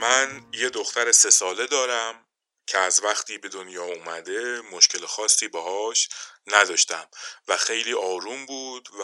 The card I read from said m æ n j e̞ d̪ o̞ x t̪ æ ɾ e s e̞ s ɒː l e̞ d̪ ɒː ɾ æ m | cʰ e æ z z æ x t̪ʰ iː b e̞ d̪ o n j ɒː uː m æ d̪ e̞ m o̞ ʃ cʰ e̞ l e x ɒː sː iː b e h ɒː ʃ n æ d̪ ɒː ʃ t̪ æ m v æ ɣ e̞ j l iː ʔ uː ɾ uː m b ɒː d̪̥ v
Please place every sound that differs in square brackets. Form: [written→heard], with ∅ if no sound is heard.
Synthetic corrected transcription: m æ n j e̞ d̪ o̞ x t̪ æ ɾ e s e̞ s ɒː l e̞ d̪ ɒː ɾ æ m | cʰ e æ z [z→v] æ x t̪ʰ iː b e̞ d̪ o n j ɒː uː m æ d̪ e̞ m o̞ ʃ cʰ e̞ l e x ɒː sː iː b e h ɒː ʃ n æ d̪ ɒː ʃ t̪ æ m v æ [ɣ→x] e̞ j l iː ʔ [uː→ɒː] ɾ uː m b [ɒː→uː] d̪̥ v